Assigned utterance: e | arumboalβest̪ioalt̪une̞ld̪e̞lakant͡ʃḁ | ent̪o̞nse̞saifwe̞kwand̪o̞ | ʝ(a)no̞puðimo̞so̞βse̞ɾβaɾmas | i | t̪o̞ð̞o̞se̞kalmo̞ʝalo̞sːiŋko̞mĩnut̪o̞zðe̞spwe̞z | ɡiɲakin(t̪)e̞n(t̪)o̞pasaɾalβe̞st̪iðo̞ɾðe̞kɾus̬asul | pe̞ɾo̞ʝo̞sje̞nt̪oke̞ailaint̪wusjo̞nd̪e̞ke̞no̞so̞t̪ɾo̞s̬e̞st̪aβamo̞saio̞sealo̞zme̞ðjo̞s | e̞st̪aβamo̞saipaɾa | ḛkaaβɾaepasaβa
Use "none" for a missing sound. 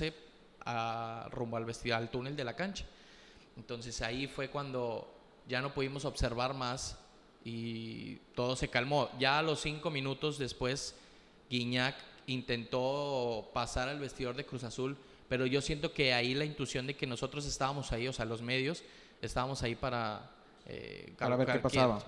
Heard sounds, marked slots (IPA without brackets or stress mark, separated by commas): a, t̪, t̪